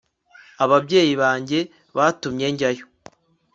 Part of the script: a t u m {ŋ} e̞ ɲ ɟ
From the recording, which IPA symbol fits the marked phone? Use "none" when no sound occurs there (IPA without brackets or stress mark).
ɲ